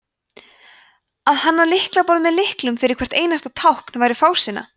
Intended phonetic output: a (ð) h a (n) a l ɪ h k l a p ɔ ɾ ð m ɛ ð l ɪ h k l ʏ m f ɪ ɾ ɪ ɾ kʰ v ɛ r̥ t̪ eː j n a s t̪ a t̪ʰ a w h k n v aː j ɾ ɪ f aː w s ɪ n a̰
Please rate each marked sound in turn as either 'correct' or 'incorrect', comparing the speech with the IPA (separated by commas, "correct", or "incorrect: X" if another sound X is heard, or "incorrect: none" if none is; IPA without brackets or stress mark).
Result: correct, incorrect: nː